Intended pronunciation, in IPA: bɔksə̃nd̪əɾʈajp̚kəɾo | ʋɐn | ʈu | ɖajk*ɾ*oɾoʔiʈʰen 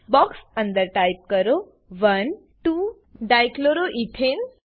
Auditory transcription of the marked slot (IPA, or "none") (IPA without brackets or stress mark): l